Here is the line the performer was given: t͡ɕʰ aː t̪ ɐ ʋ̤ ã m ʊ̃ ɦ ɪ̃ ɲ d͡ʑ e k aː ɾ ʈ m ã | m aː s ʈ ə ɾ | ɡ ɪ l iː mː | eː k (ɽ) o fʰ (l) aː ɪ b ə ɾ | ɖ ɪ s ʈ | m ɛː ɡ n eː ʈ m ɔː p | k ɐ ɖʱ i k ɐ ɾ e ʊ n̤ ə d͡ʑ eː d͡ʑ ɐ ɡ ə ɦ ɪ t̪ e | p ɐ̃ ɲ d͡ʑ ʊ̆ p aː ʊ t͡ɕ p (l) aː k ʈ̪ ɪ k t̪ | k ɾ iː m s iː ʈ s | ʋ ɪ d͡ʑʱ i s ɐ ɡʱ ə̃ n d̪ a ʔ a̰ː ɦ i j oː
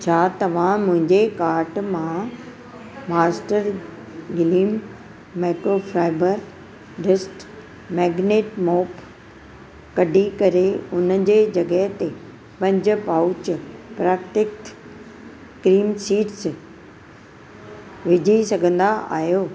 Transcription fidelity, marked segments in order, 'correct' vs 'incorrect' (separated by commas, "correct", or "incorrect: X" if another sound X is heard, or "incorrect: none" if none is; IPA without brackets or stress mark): incorrect: ɾ, incorrect: ɾ, incorrect: ɾ